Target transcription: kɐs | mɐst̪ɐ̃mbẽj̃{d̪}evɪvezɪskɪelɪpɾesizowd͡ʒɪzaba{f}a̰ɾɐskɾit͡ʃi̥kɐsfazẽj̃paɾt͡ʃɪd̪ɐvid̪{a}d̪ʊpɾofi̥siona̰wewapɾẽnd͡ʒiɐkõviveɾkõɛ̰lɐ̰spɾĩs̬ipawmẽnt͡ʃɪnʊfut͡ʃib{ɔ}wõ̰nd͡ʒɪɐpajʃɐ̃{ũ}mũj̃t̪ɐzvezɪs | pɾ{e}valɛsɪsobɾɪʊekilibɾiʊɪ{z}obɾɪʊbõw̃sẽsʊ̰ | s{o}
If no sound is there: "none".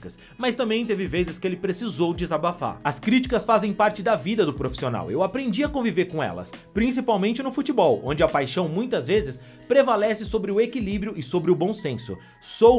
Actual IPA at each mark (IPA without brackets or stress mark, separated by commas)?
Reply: t̪, f, ɐ, ɔ, w̃, e, s, o